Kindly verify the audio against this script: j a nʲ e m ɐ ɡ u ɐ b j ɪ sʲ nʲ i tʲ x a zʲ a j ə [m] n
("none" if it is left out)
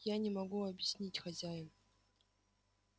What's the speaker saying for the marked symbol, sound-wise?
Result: none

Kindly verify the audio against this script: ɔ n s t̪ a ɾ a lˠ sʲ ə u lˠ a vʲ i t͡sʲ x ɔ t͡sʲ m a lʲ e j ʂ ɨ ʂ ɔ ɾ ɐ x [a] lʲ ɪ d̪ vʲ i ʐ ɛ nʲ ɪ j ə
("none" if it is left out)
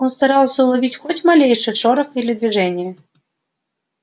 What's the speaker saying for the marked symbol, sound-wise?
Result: i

